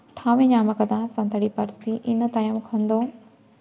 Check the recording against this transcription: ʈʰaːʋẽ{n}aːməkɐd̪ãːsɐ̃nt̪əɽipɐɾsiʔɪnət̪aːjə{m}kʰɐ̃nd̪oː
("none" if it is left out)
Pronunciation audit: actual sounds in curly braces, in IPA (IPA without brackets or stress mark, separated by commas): ɲ, m